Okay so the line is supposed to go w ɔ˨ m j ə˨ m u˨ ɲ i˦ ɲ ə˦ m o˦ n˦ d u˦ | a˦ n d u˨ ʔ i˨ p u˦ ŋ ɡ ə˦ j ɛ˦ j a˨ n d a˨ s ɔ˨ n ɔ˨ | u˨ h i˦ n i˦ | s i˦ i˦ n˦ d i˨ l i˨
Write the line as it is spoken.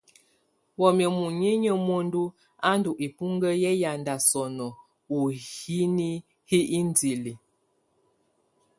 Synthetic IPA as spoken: w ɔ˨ m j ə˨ m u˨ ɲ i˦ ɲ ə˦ m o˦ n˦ d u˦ | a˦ n d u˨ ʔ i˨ p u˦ ŋ ɡ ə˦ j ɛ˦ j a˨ n d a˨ s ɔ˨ n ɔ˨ | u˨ h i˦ n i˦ | h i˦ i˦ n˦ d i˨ l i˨